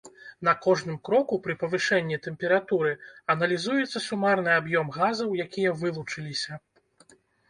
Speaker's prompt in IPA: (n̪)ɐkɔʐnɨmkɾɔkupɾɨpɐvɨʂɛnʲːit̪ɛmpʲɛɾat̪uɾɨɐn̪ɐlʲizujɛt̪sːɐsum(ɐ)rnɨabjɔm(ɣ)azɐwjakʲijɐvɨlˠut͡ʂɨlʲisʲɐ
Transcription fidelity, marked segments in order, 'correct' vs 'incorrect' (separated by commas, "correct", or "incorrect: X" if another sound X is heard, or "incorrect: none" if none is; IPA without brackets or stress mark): correct, incorrect: a, correct